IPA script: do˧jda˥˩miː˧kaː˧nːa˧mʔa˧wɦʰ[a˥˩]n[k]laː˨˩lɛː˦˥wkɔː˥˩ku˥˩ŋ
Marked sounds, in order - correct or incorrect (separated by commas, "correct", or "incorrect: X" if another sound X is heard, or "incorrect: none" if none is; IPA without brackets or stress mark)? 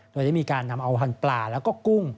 incorrect: a˧, incorrect: p